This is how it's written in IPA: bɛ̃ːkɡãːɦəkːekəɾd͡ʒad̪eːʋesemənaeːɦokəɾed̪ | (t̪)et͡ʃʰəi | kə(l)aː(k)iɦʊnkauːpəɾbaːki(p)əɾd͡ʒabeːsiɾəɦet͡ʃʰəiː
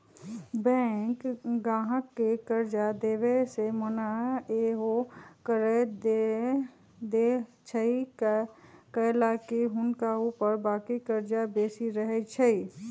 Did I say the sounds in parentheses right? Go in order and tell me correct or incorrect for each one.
incorrect: d̪, correct, correct, incorrect: k

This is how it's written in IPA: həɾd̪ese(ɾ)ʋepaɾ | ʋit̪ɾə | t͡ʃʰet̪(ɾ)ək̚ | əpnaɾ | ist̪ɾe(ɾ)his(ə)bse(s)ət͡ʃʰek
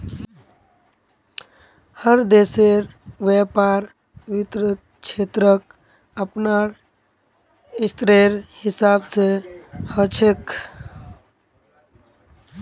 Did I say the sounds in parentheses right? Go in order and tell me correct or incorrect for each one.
correct, correct, correct, incorrect: a, incorrect: h

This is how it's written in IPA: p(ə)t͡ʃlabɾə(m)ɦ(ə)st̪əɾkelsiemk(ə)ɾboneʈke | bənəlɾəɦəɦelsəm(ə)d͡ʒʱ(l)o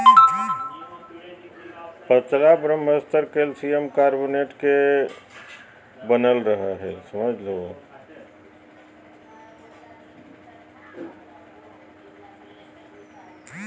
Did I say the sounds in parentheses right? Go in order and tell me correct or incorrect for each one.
correct, correct, correct, incorrect: a, correct, correct

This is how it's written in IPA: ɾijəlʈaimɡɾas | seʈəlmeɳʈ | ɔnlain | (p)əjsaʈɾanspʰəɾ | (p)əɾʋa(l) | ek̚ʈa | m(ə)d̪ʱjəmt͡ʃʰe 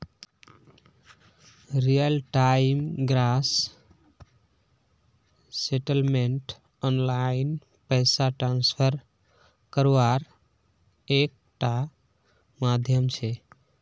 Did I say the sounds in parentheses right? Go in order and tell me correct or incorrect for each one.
correct, incorrect: k, incorrect: ɾ, incorrect: a

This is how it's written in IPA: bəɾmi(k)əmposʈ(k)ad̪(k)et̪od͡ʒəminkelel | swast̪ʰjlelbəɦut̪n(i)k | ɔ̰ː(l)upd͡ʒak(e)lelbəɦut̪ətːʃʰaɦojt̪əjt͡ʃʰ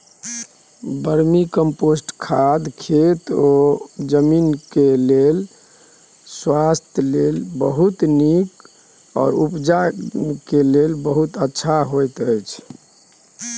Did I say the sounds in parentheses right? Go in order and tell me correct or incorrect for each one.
correct, incorrect: kʰ, incorrect: kʰ, correct, incorrect: ɾ, correct

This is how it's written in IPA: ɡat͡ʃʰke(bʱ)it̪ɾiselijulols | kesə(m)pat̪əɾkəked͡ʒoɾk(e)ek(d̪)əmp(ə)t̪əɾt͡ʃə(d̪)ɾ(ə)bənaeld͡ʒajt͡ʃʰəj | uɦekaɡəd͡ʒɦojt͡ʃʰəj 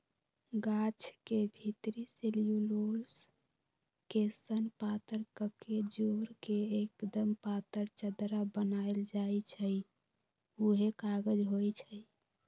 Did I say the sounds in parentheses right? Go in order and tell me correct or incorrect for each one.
correct, incorrect: n, correct, correct, incorrect: a, correct, incorrect: a

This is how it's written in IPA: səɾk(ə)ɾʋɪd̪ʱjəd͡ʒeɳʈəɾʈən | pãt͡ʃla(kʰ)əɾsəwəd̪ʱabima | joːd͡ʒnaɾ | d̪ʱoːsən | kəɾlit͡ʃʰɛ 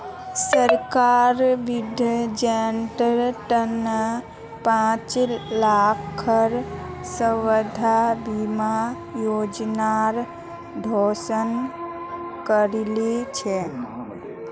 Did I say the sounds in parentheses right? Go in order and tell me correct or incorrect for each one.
incorrect: a, correct

